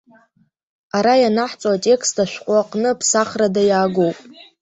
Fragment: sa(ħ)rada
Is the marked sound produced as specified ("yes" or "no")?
no